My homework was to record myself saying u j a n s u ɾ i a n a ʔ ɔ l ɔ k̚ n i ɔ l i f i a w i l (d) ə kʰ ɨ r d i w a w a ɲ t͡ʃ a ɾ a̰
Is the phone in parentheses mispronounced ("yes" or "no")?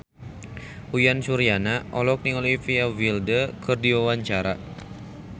no